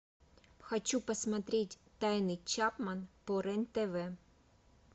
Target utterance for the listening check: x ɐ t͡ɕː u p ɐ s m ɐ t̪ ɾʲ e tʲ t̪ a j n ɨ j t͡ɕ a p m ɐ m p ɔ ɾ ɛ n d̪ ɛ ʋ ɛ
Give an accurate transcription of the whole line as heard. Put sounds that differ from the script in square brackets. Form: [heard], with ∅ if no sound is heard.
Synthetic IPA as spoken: x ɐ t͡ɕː u p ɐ s m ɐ t̪ ɾʲ e tʲ t̪ a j n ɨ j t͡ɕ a p m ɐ [n] p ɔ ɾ ɛ n [t̪] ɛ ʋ ɛ